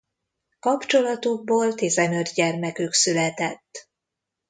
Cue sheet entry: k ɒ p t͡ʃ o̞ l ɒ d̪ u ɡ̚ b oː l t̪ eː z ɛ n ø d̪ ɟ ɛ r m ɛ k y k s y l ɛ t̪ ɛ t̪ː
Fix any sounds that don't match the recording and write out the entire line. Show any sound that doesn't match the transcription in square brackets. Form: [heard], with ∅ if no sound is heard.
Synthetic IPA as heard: k ɒ p t͡ʃ o̞ l ɒ [t̪] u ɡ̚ b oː l t̪ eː z ɛ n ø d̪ ɟ ɛ r m ɛ k y k s y l ɛ t̪ ɛ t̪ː

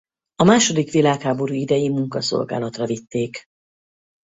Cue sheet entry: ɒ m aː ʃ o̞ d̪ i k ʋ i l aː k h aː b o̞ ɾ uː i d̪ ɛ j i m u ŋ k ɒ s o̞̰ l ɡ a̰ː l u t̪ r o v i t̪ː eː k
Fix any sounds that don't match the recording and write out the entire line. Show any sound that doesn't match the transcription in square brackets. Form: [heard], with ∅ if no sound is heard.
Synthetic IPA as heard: ɒ m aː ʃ o̞ d̪ i k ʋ i l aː k h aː b o̞ ɾ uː i d̪ ɛ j i m u ŋ k ɒ s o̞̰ l ɡ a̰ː l [ɒ] t̪ r [ɒ] v i t̪ː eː k

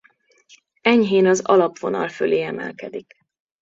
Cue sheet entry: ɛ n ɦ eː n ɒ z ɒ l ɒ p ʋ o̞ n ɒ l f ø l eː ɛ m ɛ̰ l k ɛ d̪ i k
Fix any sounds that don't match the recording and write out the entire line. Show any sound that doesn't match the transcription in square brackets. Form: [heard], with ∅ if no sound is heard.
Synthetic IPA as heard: ɛ [ɲ] ɦ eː n ɒ z ɒ l ɒ p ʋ o̞ n ɒ l f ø l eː ɛ m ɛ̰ l k ɛ d̪ i k

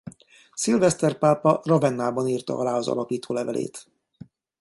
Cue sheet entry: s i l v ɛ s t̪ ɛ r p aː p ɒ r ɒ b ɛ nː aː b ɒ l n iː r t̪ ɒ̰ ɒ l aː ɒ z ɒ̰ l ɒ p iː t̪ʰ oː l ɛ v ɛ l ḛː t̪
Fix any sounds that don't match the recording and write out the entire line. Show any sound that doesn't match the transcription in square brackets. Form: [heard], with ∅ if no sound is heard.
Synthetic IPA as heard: s i l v ɛ s t̪ ɛ r p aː p ɒ r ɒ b ɛ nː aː b ɒ [∅] n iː r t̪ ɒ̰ ɒ l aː ɒ z ɒ̰ l ɒ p iː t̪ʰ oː l ɛ v ɛ l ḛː t̪

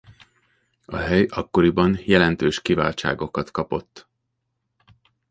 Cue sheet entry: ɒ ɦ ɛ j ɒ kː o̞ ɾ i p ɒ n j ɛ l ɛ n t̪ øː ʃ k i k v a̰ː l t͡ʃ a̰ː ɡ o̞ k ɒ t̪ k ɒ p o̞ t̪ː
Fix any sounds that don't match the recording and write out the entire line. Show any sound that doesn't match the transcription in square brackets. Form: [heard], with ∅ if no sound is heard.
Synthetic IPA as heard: ɒ ɦ ɛ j ɒ kː o̞ ɾ i [b] ɒ n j ɛ l ɛ n t̪ øː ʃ k i [∅] v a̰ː l t͡ʃ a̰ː ɡ o̞ k ɒ t̪ k ɒ p o̞ t̪ː

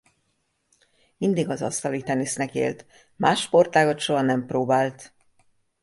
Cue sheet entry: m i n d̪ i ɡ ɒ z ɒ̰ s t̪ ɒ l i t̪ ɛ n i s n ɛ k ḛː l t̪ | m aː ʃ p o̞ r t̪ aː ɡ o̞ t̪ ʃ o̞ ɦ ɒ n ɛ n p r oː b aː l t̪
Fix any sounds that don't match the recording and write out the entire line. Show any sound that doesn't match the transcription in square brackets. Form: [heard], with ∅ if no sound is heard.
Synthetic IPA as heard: m i n d̪ i ɡ ɒ z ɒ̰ s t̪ ɒ l i t̪ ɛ n i s n ɛ k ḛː l t̪ | m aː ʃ p o̞ r t̪ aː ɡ o̞ t̪ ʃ o̞ ɦ ɒ n ɛ [m] p r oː b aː l t̪

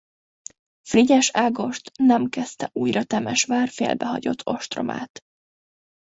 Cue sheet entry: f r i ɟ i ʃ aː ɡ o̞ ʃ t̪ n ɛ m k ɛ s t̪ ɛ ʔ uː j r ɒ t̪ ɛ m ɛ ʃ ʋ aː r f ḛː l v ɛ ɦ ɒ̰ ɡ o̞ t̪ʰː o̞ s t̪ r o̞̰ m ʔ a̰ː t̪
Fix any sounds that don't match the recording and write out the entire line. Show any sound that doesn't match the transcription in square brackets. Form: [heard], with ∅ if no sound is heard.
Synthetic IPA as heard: f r i ɟ [ɛ] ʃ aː ɡ o̞ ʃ t̪ n ɛ m k ɛ s t̪ ɛ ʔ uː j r ɒ t̪ ɛ m ɛ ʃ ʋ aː r f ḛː l [b] ɛ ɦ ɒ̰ [ɟ] o̞ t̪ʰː o̞ [ʃ] t̪ r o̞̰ m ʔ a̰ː t̪

